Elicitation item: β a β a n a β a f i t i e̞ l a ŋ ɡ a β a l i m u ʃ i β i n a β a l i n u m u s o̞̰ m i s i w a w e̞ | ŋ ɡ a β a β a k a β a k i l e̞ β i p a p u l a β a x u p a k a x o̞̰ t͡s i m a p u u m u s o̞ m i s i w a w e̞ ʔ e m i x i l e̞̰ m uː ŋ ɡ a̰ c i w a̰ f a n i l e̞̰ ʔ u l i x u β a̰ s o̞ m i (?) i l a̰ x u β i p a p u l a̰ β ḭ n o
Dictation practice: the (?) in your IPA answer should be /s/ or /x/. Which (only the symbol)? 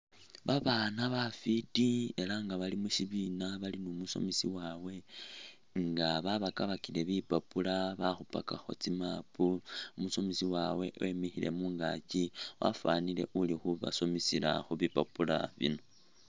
s